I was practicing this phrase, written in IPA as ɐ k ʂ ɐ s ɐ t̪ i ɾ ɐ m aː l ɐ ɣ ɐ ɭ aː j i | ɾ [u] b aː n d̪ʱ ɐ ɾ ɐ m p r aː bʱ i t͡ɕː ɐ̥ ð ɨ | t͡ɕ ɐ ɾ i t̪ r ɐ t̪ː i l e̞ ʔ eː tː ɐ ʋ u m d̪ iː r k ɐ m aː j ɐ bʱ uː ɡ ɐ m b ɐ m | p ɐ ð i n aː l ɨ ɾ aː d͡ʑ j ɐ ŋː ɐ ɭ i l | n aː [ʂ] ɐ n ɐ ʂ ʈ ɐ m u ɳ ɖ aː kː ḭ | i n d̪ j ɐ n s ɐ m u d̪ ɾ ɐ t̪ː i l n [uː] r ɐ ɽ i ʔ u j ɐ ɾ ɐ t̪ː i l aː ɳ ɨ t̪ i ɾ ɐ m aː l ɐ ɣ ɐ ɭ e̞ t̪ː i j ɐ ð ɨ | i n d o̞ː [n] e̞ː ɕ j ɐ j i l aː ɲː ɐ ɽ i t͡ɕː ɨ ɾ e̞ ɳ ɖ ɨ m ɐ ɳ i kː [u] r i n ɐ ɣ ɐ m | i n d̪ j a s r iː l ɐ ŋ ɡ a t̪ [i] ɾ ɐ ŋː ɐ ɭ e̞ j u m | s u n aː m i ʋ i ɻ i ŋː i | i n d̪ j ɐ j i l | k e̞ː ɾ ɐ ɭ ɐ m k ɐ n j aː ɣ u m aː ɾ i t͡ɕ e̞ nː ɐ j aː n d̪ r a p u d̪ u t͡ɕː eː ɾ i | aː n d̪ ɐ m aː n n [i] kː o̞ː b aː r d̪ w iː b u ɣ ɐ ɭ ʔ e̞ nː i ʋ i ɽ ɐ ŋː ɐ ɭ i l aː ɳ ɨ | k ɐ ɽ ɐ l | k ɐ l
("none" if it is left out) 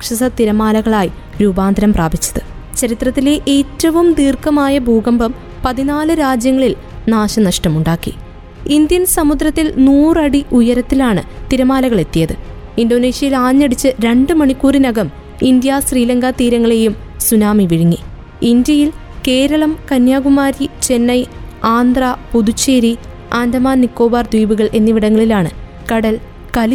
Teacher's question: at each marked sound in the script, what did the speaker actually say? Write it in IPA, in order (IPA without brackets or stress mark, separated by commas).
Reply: uː, ɕ, uː, n, uː, iː, i